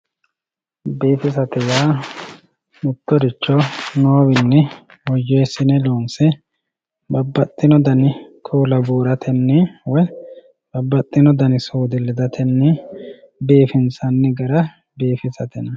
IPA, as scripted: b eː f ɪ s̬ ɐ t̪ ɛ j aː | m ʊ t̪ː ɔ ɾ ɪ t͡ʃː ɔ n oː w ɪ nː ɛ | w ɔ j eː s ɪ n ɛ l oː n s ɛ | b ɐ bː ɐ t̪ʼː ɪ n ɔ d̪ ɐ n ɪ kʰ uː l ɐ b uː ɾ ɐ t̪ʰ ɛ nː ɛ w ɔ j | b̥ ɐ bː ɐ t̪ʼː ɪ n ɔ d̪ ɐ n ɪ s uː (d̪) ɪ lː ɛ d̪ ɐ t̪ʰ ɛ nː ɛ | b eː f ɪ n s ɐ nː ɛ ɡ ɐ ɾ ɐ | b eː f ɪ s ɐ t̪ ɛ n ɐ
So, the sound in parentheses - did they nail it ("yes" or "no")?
yes